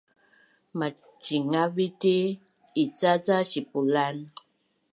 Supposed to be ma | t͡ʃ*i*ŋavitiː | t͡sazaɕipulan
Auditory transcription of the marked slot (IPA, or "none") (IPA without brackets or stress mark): i